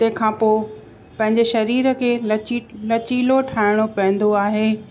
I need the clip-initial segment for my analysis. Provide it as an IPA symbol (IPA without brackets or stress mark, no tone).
t̪